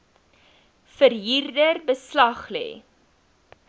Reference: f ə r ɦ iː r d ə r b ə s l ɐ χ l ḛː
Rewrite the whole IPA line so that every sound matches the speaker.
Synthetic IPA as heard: f ə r ɦ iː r d ə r b ə s l ɐ χ l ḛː

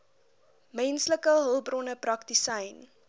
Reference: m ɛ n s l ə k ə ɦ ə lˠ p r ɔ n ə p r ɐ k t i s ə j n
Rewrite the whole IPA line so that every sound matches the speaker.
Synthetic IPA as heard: m ɛ n s l ə k ə ɦ ə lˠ b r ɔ n ə p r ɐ k t i s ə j n

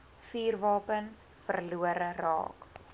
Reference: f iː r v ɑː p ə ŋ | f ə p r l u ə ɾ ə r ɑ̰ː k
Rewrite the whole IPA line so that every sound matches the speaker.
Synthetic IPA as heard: f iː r v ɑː p ə n | f ə r l u ə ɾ ə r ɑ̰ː k

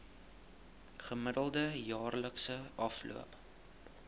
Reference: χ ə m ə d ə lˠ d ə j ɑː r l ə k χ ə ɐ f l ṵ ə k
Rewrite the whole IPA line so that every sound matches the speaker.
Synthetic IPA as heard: χ ə m ə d ə lˠ d ə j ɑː r l ə k s ə ɐ f l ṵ ə p

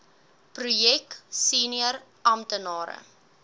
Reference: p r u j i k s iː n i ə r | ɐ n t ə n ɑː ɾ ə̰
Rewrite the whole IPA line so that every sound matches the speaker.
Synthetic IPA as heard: p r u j ɛ k s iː n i ə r | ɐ m t ə n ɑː ɾ ə̰

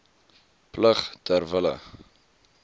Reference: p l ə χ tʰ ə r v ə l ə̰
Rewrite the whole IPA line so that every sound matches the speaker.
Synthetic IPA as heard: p l ə χ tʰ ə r v ə l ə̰

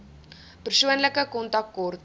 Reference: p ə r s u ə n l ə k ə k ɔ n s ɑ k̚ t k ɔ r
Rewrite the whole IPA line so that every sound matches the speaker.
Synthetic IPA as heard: p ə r s u ə n l ə k ə k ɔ n t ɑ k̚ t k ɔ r

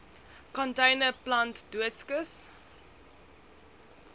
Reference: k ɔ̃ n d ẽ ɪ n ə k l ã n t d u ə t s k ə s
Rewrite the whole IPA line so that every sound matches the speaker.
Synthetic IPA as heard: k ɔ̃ n t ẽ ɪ n ə p l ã n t d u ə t s k ə s

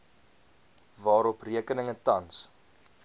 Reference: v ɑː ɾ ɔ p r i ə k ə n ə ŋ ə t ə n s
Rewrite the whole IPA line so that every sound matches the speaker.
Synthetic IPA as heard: v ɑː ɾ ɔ p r i ə k ə n ə ŋ ə t ɐ n s

